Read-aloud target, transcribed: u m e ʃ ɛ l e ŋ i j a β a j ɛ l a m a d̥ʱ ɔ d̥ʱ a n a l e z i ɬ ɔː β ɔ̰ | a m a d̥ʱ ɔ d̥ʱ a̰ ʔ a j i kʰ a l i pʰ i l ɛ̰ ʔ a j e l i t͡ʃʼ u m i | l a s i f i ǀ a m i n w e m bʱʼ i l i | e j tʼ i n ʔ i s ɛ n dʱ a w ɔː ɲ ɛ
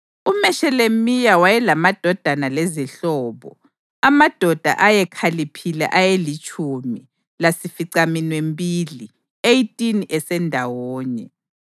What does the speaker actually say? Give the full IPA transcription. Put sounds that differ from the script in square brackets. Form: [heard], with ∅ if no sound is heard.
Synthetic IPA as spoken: u m [ɛ] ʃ ɛ l e [m] i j a [w] a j ɛ l a m a d̥ʱ ɔ d̥ʱ a n a l e z i ɬ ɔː β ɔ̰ | a m a d̥ʱ ɔ d̥ʱ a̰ ʔ a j [ɛ] kʰ a l i pʰ i l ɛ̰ ʔ a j e l i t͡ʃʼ u m i | l a s i f i ǀ a m i n w e m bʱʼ i l i | e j tʼ i n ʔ [ɛ] s ɛ n dʱ a w ɔː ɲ ɛ